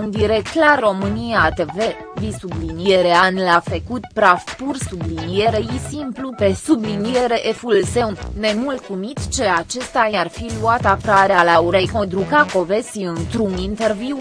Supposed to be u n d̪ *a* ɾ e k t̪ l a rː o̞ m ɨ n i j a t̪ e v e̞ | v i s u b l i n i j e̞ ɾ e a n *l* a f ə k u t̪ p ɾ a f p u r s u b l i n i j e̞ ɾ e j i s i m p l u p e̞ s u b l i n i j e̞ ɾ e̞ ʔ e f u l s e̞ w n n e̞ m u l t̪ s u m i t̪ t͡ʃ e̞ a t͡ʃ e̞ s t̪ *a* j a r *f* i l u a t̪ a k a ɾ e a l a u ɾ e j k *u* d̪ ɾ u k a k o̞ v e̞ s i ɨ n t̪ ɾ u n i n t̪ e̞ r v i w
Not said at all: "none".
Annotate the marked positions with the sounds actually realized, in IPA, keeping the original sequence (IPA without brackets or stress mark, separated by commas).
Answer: i, l, a, f, o